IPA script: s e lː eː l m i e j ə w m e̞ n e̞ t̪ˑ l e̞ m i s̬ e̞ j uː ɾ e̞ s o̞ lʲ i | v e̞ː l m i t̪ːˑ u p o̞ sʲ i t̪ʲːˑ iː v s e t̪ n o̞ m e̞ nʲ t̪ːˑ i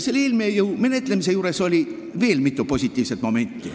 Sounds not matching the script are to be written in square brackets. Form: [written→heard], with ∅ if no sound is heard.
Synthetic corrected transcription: s e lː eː l m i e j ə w m e̞ n e̞ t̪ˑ l e̞ m i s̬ e̞ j uː ɾ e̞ s o̞ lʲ i | v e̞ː l m i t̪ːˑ u p o̞ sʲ i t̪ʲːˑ iː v s e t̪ [n→m] o̞ m e̞ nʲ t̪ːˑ i